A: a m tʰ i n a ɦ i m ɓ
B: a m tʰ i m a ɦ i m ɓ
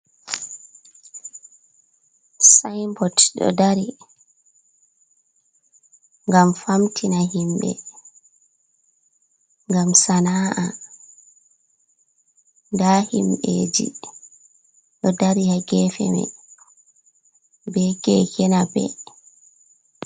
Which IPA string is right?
A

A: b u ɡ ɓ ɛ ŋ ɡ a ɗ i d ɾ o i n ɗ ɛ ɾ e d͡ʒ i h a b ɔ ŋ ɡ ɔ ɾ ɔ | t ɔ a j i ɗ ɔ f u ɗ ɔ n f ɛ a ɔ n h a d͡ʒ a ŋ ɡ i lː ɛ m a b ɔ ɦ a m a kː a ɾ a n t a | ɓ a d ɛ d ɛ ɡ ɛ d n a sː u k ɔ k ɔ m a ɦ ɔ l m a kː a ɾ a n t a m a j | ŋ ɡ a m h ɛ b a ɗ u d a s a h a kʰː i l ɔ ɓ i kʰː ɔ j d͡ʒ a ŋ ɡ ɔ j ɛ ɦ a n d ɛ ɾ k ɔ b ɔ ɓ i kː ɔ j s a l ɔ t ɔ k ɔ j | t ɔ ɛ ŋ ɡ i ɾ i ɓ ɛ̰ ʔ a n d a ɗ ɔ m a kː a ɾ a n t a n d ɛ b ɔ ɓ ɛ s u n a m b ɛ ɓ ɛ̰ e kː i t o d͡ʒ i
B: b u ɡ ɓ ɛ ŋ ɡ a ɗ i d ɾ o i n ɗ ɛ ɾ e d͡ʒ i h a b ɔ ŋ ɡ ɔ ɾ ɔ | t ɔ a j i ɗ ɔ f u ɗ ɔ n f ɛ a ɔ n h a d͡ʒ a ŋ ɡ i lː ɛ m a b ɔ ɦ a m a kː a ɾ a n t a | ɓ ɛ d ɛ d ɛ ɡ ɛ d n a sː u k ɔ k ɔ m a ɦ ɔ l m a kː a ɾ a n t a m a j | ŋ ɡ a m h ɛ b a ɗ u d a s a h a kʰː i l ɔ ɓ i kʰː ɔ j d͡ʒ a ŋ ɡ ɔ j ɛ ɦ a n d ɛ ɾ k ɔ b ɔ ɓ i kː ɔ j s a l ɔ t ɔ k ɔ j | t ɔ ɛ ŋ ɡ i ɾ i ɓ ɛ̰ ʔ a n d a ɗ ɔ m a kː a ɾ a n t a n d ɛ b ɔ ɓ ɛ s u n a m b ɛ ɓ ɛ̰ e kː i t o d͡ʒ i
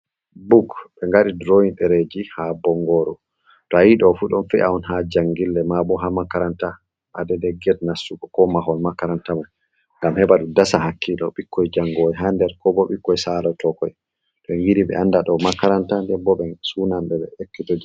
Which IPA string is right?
A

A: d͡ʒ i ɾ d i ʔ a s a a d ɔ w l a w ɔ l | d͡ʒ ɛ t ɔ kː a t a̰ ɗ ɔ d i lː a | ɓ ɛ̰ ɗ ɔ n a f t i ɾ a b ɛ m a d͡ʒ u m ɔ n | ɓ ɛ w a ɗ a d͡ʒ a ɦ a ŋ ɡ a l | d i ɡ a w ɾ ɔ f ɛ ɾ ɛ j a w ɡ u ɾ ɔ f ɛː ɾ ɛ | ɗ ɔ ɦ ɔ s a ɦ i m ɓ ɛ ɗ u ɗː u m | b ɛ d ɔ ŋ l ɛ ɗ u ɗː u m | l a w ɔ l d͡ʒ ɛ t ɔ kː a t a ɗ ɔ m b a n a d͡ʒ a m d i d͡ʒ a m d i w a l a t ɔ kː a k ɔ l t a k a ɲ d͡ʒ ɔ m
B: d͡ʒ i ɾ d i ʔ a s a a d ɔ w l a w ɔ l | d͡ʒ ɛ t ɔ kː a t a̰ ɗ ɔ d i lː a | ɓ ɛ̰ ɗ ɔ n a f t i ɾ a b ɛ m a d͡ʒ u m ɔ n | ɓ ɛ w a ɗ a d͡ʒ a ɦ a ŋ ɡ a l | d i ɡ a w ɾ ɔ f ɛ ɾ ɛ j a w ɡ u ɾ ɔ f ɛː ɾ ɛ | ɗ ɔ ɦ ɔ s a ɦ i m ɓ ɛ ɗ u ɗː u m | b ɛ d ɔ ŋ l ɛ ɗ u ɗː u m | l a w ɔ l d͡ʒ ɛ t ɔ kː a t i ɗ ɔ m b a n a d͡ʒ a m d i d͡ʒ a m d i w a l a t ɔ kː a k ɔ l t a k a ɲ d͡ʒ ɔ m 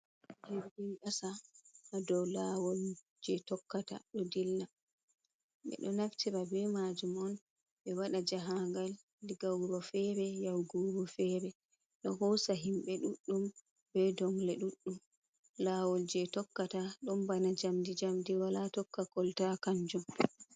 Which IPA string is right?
A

